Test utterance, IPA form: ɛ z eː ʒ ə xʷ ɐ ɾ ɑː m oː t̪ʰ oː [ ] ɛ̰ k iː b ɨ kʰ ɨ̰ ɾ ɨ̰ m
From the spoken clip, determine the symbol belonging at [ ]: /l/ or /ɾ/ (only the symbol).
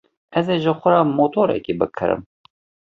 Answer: ɾ